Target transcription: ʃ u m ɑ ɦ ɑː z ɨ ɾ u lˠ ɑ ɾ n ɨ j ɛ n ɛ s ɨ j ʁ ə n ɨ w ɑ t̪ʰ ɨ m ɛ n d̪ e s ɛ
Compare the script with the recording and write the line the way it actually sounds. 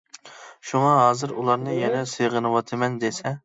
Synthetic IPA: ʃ u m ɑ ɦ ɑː z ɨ ɾ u lˠ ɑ ɾ n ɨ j ɛ n ɛ s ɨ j ʁ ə n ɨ w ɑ t̪ʰ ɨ m ɛ n d̪ e s ɛ